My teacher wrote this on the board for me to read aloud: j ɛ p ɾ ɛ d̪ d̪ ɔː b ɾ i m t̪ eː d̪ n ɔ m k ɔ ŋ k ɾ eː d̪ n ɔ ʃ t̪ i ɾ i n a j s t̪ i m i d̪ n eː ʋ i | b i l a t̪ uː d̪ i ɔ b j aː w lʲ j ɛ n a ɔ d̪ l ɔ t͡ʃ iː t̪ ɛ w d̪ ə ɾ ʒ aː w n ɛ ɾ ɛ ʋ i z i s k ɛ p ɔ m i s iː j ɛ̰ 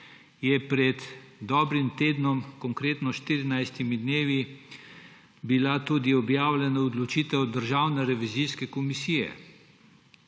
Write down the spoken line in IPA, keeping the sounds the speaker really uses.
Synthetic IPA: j ɛ p ɾ ɛ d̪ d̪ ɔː b ɾ i m t̪ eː d̪ n ɔ m k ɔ ŋ k ɾ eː t̪ n ɔ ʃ t̪ i ɾ i n a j s t̪ i m i d̪ n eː ʋ i | b i l a t̪ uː d̪ i ɔ b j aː w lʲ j ɛ n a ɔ d̪ l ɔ t͡ʃ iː t̪ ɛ w d̪ ə ɾ ʒ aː w n ɛ ɾ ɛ ʋ i z i s k ɛ k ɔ m i s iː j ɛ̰